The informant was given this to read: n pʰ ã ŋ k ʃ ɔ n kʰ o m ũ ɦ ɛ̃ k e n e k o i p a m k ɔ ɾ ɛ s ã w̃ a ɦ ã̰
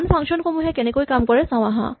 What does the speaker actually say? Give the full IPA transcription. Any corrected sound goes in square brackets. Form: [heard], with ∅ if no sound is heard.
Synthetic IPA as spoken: n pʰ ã ŋ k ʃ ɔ n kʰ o m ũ ɦ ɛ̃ k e n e k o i [k] a m k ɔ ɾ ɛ s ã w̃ a ɦ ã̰